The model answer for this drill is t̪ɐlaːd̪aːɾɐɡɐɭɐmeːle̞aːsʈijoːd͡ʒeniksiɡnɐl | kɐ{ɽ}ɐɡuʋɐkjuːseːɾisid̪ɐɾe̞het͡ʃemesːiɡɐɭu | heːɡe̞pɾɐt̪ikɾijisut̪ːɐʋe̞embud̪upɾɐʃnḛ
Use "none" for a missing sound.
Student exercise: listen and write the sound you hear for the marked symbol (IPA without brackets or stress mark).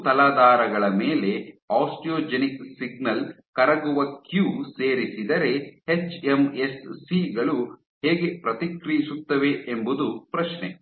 ɾ